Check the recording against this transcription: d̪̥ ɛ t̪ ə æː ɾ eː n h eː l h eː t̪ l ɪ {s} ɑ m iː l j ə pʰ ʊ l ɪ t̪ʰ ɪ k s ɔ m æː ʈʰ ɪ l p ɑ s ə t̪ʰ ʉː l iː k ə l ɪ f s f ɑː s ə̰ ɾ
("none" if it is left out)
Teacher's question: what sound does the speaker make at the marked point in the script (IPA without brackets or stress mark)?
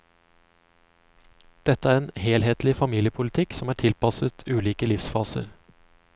f